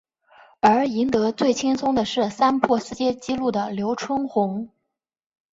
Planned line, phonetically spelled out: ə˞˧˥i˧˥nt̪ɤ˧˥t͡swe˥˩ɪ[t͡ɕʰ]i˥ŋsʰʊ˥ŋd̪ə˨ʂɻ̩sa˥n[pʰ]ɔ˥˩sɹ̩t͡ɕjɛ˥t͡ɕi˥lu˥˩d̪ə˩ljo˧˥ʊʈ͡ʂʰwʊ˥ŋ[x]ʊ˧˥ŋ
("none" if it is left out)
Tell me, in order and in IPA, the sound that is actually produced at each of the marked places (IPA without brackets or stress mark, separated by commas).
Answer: t͡ɕʰ, pʰ, x